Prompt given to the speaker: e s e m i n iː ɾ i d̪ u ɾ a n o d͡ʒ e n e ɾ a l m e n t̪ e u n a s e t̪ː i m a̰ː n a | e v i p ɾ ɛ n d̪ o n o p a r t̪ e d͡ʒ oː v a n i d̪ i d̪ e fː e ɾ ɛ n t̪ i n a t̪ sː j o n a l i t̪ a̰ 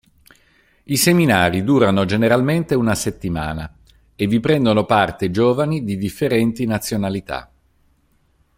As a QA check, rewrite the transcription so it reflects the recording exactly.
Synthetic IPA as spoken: i s e m i n aː ɾ i d̪ uː ɾ a n o d͡ʒ e n e ɾ a l m e n t̪ e u n a s e t̪ː i m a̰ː n a | e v i p ɾ ɛ n d̪ o n o p a r t̪ e d͡ʒ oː v a n i d̪ i d̪ i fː e ɾ ɛ n t̪ i n a t̪ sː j o n a l i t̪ a̰

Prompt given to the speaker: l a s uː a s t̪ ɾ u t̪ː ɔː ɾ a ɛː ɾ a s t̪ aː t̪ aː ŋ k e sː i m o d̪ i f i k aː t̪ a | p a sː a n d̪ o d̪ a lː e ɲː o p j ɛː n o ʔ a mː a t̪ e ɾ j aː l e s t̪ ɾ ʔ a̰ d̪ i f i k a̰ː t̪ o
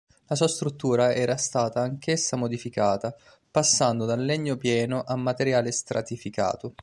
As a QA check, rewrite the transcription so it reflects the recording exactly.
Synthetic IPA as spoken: l a s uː a s t̪ ɾ u t̪ː uː ɾ a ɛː ɾ a s t̪ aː t̪ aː ŋ k e sː a m o d̪ i f i k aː t̪ a | p a sː a n d̪ o d̪ a lː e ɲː o p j ɛː n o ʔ a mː a t̪ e ɾ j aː l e s t̪ ɾ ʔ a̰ t̪ i f i k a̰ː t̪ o

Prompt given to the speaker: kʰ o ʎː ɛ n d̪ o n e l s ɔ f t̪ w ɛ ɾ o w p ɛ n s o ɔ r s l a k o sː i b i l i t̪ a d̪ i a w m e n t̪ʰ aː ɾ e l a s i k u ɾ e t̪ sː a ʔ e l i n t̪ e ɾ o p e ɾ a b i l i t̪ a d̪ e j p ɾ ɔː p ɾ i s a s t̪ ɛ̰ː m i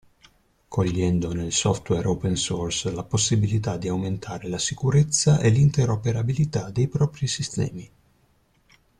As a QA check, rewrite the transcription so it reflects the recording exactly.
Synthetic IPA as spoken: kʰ o ʎː ɛ n d̪ o n e l s ɔ f t̪ w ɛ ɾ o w p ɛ n s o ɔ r s l a p o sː i b i l i t̪ a d̪ i a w m e n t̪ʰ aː ɾ e l a s i k u ɾ e t̪ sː a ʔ e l i n t̪ e ɾ o p e ɾ a b i l i t̪ a d̪ e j p ɾ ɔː p ɾ i s i s t̪ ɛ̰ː m i

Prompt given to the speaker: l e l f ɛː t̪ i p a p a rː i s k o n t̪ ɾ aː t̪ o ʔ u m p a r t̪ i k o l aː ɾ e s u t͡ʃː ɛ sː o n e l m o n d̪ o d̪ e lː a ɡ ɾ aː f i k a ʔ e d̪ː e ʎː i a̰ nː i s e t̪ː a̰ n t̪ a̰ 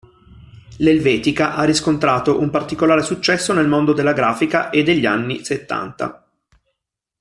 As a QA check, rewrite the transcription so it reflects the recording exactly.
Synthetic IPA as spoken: l e l v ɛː t̪ i k a ʔ a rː i s k o n t̪ ɾ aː t̪ o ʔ u m p a r t̪ i k o l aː ɾ e s u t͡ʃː ɛ sː o n e l m o n d̪ o d̪ e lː a ɡ ɾ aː f i k a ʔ e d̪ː e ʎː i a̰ nː i s e t̪ː a̰ n t̪ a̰

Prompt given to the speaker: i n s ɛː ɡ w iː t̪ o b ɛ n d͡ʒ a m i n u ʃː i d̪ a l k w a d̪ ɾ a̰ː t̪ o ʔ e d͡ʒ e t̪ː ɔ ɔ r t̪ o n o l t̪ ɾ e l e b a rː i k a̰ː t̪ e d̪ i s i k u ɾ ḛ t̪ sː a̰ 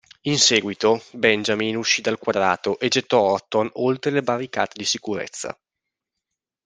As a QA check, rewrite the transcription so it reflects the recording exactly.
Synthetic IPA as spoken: i n s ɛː ɡ w i t̪ o b ɛ n d͡ʒ a m i n u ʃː i d̪ a l k w a d̪ ɾ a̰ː t̪ o ʔ e d͡ʒ e t̪ː ɔ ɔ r t̪ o n o l t̪ ɾ e l e b a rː i k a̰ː t̪ e d̪ i s i k u ɾ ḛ t̪ sː a̰

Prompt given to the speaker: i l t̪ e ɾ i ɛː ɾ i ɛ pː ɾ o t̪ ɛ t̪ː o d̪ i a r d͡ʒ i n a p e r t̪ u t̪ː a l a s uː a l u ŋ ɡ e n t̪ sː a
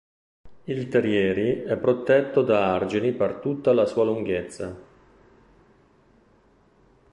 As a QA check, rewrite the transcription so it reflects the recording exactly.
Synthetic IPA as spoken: i l t̪ e ɾ j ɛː ɾ i ɛ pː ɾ o t̪ ɛ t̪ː o d̪ a a r d͡ʒ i n i p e r t̪ u t̪ː a l a s uː a l u ŋ ɡ e t̪ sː a

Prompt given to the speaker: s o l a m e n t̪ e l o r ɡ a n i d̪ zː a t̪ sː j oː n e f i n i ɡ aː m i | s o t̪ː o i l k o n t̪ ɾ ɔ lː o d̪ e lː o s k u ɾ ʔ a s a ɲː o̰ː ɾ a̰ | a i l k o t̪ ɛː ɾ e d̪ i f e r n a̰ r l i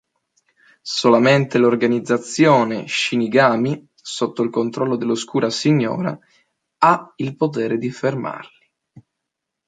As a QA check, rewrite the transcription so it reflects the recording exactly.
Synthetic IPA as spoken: s o l a m e n t̪ e l o r ɡ a n i d̪ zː a t̪ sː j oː n e ʃ i n i ɡ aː m i | s o t̪ː o i l k o n t̪ ɾ ɔ lː o d̪ e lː o s k uː ɾ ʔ a s i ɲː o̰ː ɾ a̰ | a i l p o t̪ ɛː ɾ e d̪ i f e r m a̰ r l i

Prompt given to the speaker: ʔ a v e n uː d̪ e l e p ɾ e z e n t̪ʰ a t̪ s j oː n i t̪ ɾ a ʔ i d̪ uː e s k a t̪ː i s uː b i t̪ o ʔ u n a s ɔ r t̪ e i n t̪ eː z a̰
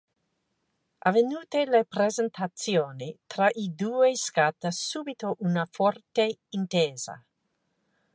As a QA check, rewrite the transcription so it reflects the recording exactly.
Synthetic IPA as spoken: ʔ a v e n uː t̪ e l e p ɾ e z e n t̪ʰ a t̪ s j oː n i t̪ ɾ a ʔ i d̪ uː e s k a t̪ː a s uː b i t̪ o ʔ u n a f ɔ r t̪ e i n t̪ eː z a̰

